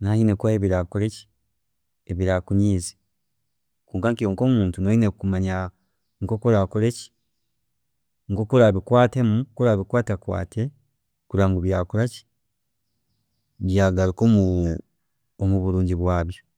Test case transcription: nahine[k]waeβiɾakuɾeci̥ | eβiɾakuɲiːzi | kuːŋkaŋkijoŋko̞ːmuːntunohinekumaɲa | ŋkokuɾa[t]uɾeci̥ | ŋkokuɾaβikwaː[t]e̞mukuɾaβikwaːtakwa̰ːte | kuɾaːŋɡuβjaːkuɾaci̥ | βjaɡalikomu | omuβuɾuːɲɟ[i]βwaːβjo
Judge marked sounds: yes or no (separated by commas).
yes, no, yes, yes